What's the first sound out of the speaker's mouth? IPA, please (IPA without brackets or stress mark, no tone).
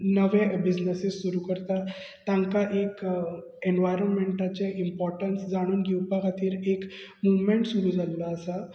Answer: n